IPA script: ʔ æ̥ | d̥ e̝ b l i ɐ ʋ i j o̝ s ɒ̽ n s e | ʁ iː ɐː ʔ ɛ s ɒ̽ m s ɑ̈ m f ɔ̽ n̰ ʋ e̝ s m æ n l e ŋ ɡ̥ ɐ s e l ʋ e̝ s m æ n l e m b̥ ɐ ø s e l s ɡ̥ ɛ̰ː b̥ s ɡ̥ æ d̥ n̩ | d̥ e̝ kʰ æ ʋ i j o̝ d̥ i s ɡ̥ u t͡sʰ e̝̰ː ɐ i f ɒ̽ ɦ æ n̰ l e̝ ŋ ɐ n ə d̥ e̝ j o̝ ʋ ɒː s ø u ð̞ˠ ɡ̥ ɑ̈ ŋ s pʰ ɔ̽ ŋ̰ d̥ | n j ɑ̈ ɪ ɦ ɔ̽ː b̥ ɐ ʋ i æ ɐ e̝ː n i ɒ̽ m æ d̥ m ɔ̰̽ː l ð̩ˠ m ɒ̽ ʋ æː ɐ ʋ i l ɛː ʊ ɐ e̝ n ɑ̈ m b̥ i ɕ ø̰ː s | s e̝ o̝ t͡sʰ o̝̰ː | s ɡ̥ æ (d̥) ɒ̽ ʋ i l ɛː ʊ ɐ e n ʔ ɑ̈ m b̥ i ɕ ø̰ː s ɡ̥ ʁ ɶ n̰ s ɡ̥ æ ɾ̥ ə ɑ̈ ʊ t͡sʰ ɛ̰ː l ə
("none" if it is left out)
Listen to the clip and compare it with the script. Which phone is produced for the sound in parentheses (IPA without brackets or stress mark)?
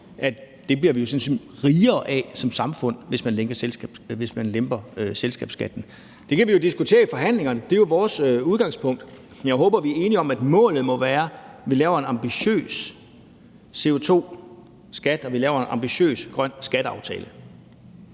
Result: d̥